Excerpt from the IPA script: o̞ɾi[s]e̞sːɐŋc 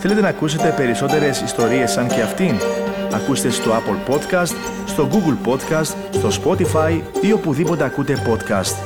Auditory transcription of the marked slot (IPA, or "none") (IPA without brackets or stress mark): none